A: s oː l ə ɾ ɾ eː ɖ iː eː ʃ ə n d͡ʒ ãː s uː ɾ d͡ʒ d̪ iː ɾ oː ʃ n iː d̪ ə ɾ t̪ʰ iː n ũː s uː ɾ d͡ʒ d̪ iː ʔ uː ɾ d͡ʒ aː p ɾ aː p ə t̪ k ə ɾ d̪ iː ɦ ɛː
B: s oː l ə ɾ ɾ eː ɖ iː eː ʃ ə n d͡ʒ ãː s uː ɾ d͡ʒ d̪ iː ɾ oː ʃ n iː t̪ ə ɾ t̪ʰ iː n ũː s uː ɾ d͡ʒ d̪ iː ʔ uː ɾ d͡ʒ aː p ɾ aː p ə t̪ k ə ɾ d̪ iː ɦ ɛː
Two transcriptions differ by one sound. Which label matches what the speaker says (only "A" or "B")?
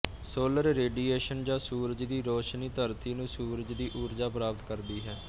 B